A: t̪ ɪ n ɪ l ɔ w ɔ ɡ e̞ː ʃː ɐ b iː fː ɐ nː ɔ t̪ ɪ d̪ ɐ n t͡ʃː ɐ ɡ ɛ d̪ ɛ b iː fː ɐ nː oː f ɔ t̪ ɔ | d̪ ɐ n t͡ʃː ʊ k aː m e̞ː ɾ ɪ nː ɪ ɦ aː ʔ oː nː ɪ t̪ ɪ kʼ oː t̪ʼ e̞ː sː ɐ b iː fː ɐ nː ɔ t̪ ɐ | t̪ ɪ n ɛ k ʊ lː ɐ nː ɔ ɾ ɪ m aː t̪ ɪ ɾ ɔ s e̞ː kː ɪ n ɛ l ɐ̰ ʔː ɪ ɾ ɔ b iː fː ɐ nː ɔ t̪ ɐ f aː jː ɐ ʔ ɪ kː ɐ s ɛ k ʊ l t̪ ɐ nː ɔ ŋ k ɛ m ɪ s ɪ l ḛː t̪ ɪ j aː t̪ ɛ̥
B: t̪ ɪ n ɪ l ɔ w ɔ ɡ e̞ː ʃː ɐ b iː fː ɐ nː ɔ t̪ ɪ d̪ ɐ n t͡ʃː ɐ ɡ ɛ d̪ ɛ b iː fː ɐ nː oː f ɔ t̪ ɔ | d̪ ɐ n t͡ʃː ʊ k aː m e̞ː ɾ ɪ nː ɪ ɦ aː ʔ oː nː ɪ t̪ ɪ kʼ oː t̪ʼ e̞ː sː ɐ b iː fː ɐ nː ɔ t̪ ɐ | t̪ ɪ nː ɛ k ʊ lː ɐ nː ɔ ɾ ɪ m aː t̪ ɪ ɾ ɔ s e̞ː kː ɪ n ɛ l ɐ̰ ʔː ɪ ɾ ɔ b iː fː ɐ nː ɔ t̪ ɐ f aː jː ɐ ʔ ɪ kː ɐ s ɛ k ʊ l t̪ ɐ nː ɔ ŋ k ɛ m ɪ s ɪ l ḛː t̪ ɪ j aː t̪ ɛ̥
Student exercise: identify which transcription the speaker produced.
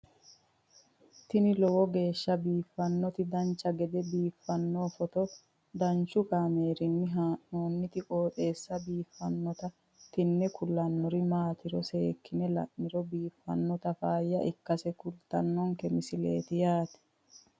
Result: B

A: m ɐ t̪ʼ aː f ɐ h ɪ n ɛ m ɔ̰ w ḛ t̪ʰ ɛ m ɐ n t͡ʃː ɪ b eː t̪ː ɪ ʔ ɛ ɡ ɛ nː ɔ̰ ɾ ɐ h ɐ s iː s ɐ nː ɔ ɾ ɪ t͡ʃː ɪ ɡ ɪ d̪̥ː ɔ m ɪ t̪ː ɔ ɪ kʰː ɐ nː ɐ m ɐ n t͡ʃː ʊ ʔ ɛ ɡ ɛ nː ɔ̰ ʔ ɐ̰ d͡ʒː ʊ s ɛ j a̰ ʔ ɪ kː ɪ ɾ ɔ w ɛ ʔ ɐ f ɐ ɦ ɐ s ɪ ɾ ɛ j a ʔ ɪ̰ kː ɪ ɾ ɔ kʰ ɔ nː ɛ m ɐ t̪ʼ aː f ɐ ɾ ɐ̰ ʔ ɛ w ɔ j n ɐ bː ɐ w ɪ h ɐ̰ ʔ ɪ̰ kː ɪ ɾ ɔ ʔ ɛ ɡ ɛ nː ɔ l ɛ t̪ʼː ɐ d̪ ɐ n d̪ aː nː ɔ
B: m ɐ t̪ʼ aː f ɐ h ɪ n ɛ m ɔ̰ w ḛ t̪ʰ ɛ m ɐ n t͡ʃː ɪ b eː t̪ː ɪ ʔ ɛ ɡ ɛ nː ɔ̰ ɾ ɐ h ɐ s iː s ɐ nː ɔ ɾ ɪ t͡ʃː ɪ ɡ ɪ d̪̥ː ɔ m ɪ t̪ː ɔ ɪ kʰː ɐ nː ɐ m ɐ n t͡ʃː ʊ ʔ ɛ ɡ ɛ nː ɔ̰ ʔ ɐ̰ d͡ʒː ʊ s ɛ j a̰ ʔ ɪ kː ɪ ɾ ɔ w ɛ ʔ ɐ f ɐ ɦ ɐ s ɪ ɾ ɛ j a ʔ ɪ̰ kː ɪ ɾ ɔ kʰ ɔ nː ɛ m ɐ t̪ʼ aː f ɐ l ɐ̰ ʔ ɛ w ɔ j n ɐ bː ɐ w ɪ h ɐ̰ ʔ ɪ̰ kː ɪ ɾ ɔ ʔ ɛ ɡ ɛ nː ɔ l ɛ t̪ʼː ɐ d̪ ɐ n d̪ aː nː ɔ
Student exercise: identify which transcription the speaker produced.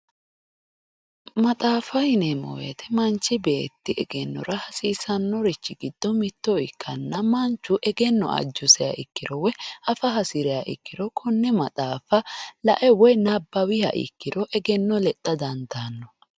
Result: B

